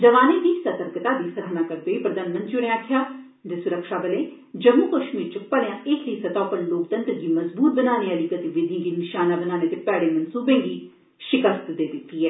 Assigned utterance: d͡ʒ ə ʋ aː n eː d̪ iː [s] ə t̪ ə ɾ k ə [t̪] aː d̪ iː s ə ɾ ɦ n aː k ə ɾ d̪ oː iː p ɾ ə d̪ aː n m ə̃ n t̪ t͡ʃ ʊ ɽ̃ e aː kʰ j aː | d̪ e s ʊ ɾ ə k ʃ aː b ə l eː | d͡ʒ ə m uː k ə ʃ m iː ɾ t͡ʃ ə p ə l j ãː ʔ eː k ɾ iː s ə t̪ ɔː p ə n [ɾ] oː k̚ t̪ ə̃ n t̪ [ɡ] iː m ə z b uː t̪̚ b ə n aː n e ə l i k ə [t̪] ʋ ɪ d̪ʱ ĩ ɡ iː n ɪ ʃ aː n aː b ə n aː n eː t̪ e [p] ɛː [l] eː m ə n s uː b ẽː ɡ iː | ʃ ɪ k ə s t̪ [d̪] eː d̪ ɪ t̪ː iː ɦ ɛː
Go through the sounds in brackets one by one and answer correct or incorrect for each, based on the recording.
correct, correct, incorrect, correct, correct, correct, incorrect, correct

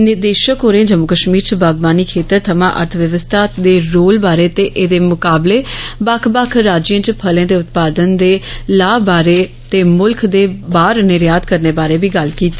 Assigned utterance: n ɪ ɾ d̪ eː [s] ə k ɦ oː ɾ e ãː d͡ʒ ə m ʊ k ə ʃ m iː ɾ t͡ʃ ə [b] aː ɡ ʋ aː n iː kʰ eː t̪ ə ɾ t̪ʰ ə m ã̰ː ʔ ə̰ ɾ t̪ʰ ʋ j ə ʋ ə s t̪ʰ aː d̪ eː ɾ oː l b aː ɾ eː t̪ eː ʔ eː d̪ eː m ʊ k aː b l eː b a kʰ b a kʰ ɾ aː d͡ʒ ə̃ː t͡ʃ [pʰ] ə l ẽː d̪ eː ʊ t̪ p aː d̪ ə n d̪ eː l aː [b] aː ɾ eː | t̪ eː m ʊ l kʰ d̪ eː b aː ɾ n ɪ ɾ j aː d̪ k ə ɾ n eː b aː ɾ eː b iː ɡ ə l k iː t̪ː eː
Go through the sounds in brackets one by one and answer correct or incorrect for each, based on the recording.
incorrect, correct, correct, correct

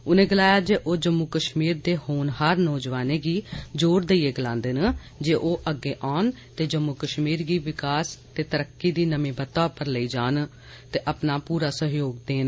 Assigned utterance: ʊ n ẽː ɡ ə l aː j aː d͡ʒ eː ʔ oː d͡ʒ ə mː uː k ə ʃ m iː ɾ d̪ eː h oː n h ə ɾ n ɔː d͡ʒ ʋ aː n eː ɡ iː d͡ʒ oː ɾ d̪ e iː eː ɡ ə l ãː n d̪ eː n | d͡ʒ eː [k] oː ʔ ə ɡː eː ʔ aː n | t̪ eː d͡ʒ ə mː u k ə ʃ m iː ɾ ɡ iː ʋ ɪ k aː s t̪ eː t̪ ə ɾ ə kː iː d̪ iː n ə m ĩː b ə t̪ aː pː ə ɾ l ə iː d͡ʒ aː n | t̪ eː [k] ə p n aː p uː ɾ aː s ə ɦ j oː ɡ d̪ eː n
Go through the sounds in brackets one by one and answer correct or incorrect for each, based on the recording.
incorrect, incorrect

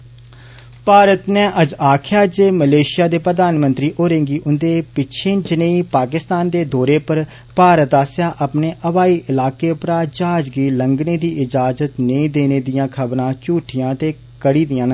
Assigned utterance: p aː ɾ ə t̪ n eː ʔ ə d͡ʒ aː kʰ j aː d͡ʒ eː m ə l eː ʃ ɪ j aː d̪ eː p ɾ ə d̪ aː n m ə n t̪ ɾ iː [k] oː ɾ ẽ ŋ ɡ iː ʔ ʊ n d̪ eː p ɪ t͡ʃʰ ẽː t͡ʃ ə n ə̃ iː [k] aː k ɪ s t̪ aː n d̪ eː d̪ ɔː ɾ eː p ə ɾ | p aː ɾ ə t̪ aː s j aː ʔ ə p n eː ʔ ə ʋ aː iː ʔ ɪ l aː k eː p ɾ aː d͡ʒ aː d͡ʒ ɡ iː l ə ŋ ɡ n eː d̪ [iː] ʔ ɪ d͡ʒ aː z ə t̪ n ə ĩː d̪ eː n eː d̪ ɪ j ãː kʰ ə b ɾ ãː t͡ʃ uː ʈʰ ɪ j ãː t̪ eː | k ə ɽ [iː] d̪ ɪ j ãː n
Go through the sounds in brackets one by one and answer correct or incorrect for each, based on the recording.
incorrect, incorrect, correct, correct

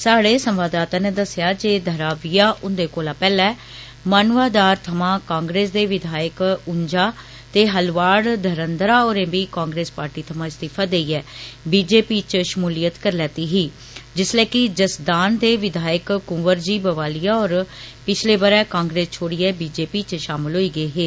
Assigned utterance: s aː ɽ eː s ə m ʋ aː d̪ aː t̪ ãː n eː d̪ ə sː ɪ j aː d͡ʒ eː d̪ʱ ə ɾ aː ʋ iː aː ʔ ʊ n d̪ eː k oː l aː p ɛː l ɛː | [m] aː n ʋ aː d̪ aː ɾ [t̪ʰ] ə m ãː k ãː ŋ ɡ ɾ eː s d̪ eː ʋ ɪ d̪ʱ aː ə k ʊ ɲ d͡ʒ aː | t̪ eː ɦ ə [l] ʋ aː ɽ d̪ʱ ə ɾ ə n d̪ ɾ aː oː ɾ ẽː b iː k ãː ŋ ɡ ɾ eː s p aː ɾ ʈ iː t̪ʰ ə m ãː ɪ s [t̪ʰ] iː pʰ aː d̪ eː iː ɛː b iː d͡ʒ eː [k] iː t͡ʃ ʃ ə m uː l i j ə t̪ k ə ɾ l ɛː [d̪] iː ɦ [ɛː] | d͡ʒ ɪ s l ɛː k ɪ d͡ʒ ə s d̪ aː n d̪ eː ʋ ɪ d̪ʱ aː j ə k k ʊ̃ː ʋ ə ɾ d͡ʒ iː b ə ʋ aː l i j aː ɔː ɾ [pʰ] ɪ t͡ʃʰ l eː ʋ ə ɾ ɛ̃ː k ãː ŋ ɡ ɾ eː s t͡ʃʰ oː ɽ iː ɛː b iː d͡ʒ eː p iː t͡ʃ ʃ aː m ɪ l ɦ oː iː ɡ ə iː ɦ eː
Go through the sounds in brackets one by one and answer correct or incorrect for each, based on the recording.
correct, correct, correct, incorrect, incorrect, incorrect, incorrect, incorrect

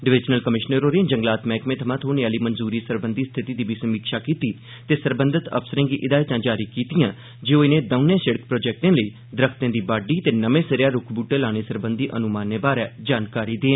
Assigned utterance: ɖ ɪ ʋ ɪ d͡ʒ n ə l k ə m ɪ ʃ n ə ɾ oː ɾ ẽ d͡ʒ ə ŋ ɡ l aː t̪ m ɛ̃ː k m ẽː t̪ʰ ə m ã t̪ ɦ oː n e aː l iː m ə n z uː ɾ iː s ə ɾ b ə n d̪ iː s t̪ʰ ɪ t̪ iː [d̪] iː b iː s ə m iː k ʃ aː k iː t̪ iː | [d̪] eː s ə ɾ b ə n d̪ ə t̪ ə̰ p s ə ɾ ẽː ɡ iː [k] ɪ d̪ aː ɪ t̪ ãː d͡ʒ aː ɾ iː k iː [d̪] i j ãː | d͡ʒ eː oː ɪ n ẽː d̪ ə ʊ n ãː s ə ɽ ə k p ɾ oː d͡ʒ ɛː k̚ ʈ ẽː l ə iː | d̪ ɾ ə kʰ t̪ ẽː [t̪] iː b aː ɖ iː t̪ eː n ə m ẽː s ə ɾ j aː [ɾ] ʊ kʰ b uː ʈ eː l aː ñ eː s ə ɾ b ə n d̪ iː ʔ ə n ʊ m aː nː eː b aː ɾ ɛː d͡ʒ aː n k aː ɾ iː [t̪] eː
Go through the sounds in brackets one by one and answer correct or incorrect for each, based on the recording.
correct, incorrect, incorrect, incorrect, incorrect, correct, incorrect

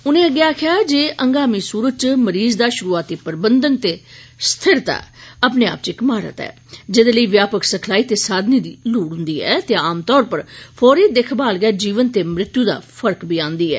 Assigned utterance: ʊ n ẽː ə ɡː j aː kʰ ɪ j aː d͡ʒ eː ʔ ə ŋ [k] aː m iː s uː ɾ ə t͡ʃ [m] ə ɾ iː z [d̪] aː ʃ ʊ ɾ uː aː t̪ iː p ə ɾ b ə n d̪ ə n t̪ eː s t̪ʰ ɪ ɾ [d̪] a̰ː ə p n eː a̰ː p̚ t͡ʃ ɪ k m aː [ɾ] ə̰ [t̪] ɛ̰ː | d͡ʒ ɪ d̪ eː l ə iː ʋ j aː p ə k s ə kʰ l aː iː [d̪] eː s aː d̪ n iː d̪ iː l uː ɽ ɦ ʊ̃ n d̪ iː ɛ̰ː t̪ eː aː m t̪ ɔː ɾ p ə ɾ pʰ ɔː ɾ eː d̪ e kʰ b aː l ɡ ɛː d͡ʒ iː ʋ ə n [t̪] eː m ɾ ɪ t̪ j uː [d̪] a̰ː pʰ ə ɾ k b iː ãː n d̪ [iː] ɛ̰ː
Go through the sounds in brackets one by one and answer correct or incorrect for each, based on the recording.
incorrect, correct, correct, incorrect, correct, correct, incorrect, correct, correct, correct

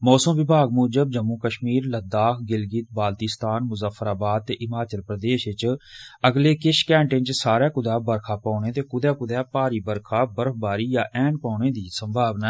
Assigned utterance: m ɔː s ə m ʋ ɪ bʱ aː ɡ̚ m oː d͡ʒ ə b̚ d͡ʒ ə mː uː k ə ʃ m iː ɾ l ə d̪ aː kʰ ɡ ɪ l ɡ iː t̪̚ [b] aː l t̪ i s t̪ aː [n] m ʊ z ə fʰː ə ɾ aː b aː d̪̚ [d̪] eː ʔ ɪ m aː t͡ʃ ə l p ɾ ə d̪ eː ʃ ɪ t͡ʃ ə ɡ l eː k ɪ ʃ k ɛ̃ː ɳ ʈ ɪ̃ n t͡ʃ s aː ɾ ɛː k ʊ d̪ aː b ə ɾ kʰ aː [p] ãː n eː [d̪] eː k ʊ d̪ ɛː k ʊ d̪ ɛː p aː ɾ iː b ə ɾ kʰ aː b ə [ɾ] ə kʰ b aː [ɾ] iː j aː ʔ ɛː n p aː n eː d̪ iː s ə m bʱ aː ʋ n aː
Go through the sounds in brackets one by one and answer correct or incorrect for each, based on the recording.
correct, correct, incorrect, correct, incorrect, correct, correct

